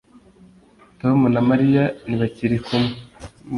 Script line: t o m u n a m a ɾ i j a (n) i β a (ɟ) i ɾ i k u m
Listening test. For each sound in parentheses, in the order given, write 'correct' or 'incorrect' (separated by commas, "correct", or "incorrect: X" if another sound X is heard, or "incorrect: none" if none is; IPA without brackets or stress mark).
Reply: correct, incorrect: c